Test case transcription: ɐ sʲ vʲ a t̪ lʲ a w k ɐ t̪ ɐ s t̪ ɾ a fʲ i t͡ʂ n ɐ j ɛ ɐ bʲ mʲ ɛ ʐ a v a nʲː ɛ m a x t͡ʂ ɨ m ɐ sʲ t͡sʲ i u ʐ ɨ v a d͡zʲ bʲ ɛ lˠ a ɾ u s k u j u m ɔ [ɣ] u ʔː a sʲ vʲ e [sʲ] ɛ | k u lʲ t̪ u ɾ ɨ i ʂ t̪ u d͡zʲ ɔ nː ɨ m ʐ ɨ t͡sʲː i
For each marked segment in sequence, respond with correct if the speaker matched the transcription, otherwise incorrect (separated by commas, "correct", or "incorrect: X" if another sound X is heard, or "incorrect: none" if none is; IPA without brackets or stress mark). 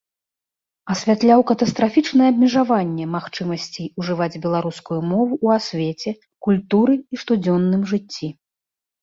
incorrect: v, incorrect: t͡sʲ